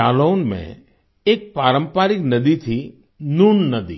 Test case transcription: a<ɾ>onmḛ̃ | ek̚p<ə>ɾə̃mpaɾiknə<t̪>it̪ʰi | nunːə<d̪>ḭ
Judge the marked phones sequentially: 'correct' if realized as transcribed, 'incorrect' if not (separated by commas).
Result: incorrect, incorrect, incorrect, correct